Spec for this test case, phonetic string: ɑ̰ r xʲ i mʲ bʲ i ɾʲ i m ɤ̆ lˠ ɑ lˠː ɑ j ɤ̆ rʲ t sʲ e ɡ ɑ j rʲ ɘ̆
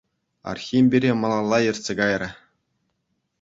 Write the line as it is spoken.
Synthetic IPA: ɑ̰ r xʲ i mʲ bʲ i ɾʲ e m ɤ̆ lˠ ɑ lˠː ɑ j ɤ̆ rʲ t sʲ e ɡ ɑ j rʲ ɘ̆